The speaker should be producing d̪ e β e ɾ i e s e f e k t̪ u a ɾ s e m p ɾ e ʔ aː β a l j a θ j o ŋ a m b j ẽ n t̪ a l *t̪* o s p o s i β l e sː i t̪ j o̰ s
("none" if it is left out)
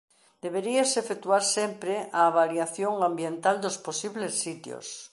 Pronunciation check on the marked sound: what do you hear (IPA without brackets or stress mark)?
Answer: d̪